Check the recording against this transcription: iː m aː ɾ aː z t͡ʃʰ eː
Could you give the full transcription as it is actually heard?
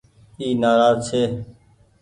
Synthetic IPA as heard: iː n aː ɾ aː z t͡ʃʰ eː